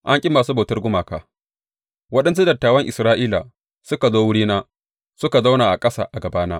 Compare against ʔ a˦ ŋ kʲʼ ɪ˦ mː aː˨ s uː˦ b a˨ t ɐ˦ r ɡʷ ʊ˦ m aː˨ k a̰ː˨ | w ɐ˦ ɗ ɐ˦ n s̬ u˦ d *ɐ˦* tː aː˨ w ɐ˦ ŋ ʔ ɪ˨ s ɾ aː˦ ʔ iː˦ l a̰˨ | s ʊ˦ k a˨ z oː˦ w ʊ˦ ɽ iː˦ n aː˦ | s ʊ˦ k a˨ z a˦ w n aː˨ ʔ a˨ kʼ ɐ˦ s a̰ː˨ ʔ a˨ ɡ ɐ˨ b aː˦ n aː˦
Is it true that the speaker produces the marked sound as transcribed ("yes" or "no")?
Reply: no